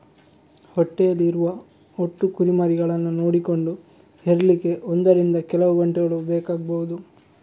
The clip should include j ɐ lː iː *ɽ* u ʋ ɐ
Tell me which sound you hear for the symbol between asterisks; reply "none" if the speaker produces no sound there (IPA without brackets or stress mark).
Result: ɾ